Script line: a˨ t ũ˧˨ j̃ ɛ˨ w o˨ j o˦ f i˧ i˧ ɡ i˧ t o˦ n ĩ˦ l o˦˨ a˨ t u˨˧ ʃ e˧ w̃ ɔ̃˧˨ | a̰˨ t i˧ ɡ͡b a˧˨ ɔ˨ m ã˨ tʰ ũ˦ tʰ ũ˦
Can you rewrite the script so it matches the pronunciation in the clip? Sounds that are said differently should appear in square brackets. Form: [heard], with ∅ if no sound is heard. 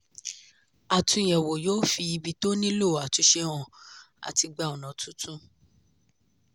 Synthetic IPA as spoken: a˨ t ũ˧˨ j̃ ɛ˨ w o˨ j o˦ f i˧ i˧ [b] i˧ t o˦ n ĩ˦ l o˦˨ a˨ t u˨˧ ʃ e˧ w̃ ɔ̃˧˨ | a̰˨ t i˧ ɡ͡b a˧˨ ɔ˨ [n] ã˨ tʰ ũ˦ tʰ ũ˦